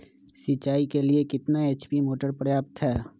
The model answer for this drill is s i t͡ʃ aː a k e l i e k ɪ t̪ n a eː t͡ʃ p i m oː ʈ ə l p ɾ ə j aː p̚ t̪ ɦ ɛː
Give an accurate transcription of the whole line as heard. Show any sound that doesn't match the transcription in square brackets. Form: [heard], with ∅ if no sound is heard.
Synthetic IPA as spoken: s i t͡ʃ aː [i] k e l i e k ɪ t̪ n a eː t͡ʃ p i m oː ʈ ə [ɾ] p ɾ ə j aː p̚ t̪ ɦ ɛː